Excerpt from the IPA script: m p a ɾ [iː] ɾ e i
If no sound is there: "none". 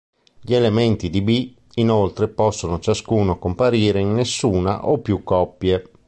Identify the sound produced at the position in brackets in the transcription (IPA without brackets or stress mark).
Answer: iː